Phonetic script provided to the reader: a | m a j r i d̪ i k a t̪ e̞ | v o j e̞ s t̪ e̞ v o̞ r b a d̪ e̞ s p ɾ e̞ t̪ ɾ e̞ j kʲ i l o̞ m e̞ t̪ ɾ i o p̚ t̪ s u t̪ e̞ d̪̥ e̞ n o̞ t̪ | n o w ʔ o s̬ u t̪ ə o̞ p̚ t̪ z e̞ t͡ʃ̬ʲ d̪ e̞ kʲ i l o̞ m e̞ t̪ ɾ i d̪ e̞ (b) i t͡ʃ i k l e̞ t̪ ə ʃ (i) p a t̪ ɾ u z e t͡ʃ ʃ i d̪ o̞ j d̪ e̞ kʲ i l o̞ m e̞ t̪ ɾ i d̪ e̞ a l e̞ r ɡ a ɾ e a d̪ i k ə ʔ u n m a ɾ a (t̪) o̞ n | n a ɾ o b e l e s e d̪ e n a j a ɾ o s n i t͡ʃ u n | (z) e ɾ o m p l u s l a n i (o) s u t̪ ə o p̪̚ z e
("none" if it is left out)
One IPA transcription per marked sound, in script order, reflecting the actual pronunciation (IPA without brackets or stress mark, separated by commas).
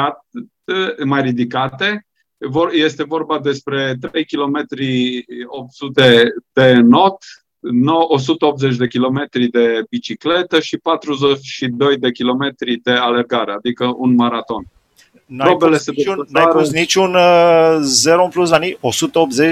b, i, t̪, z, o